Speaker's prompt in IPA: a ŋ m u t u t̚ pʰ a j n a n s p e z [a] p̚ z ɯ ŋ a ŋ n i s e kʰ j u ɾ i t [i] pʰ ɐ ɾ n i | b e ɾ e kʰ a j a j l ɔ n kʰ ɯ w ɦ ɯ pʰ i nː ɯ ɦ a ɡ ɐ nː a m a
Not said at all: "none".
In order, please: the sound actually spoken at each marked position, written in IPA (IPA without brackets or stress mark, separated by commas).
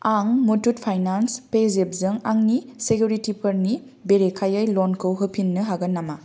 e, i